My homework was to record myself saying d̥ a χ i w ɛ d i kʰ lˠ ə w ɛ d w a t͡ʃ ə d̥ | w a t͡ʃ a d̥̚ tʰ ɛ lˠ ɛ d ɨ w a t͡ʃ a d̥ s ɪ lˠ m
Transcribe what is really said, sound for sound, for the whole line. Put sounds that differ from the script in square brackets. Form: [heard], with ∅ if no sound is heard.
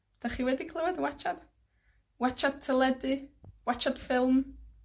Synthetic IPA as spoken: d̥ a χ i w ɛ d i kʰ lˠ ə w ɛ d w a t͡ʃ [a] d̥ | w a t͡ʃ a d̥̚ tʰ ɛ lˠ ɛ d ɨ w a t͡ʃ a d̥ [f] ɪ lˠ m